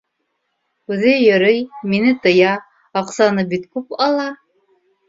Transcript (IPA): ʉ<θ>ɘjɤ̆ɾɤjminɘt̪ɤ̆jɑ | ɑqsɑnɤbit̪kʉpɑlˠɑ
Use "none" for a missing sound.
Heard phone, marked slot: ð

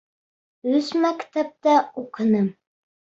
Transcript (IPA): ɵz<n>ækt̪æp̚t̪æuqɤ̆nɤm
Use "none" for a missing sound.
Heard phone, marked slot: m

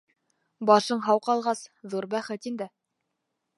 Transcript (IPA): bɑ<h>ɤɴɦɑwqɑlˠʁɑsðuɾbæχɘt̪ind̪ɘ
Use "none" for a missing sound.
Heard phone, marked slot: ʃ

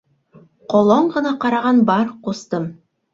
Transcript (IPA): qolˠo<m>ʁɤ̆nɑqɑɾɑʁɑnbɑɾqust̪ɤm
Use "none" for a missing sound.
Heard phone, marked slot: ɴ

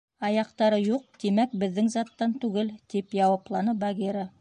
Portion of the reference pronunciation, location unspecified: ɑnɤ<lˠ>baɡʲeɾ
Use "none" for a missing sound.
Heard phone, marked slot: none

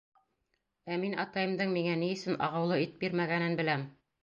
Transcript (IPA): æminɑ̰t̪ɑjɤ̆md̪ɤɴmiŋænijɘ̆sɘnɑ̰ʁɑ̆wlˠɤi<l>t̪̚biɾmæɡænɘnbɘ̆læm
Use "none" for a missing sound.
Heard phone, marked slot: none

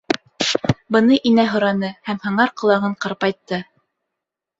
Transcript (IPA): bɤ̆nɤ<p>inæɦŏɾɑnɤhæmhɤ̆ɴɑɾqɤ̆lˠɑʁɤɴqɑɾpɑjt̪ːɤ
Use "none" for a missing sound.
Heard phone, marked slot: ʔ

